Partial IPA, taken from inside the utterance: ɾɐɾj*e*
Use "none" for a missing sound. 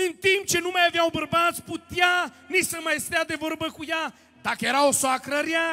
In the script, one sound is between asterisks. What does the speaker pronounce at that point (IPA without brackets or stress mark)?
a